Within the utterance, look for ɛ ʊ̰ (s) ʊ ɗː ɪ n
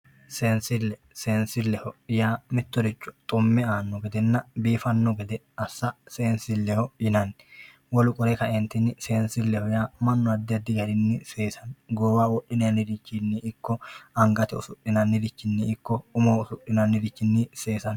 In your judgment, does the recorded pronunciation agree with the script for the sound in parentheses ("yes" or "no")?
yes